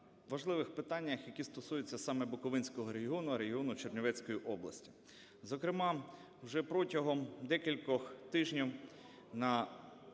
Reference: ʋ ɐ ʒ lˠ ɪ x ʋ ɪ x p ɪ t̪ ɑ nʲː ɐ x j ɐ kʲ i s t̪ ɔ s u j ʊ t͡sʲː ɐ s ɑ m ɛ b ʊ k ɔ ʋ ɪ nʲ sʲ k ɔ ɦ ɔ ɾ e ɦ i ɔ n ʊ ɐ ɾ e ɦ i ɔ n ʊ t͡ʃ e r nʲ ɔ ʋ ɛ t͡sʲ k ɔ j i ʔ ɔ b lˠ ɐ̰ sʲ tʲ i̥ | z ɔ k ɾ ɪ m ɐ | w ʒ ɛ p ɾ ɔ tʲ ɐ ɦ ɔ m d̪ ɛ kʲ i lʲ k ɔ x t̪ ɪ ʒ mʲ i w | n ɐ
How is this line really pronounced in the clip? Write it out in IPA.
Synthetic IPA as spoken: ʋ ɐ ʒ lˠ ɪ ʋ ɪ x p ɪ t̪ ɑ nʲː ɐ x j ɐ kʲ i s t̪ ɔ s u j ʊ t͡sʲː ɐ s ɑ m ɛ b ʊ k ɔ ʋ ɪ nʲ sʲ k ɔ ɦ ɔ ɾ e ɦ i ɔ n ʊ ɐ ɾ e ɦ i ɔ n ʊ t͡ʃ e r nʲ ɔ ʋ ɛ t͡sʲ k ɔ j i ʔ ɔ b lˠ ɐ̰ sʲ tʲ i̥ | z ɔ k ɾ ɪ m ɑ | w ʒ ɛ p ɾ ɔ tʲ ɐ ɦ ɔ m d̪ ɛ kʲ i lʲ k ɔ x t̪ ɪ ʒ nʲ i w | n ɐ